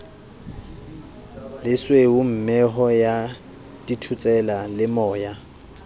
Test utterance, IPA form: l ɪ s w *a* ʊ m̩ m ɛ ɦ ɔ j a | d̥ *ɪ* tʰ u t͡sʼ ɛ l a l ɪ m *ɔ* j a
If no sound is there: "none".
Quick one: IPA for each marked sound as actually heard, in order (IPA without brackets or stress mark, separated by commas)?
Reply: e, i, ɔː